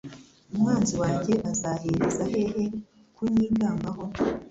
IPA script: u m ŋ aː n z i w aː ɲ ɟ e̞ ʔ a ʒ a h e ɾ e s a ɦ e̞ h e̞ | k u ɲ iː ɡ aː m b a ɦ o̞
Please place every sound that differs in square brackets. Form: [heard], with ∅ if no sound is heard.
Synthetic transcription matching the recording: u m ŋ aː n z i w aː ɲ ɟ e̞ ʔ a [z] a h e ɾ e [z] a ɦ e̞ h e̞ | k u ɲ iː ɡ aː m b a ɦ o̞